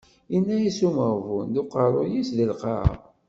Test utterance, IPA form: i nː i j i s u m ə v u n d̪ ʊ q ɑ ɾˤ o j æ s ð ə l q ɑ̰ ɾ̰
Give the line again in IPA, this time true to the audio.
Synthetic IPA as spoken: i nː æ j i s u m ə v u n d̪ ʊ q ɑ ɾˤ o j i s ð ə l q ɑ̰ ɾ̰